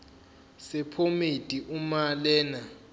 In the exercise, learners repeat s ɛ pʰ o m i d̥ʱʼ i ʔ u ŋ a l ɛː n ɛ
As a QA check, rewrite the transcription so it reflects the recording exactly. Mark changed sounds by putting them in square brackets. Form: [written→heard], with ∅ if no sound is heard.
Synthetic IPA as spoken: s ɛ pʰ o m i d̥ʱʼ i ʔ u [ŋ→m] a l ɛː n [ɛ→a]